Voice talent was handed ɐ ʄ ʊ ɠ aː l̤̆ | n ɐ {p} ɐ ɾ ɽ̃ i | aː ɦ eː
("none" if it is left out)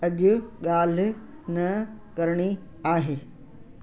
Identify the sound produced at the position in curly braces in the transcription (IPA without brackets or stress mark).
k